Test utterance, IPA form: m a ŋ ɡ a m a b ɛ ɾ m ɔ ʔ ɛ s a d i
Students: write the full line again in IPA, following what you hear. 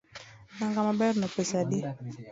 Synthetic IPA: n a ŋ ɡ a m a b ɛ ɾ n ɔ p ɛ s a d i